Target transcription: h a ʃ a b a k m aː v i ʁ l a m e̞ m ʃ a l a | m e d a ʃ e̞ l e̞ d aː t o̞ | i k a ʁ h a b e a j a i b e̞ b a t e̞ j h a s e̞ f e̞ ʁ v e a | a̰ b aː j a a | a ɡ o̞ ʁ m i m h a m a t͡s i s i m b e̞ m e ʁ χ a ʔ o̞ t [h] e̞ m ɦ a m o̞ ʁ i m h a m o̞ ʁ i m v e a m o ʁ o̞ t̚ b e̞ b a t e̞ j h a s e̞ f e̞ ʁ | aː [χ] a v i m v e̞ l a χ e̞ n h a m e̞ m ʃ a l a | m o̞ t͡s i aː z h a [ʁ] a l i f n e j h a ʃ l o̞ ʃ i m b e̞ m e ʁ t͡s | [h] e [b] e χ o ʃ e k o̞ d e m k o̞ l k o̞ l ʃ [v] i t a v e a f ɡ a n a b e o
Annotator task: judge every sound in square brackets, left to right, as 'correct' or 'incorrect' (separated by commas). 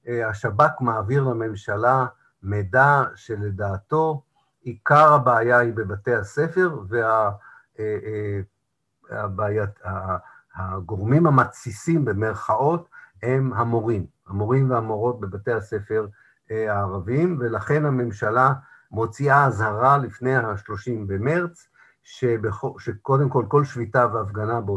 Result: correct, incorrect, correct, incorrect, correct, correct